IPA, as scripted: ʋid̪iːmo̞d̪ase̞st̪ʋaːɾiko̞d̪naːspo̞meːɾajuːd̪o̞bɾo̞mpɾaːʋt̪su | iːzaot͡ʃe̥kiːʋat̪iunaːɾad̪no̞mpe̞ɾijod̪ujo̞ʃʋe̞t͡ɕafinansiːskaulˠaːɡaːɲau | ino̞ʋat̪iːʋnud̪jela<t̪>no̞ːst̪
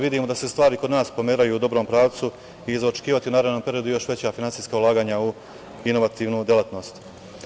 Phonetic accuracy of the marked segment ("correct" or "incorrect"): correct